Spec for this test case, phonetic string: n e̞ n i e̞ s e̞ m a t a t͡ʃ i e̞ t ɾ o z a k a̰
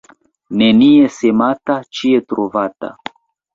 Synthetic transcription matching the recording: n e̞ n i e̞ s e̞ m a t a t͡ʃ i e̞ t ɾ o v a t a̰